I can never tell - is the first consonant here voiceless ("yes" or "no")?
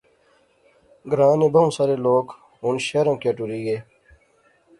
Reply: no